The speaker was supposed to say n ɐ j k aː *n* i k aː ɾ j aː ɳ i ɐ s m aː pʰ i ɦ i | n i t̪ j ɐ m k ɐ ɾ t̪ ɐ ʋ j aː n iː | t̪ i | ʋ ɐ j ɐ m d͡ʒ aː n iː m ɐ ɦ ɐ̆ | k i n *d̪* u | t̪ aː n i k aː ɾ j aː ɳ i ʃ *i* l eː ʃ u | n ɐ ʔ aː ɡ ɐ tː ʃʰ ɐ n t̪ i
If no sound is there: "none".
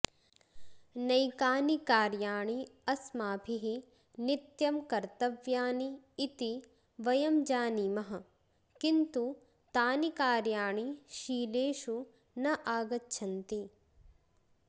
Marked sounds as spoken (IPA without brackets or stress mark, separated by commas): n, t̪, iː